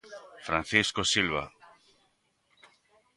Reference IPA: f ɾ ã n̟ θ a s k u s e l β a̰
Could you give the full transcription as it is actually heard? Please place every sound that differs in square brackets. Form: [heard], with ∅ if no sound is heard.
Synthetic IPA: f ɾ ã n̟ θ [i] s k [o] s [i] l β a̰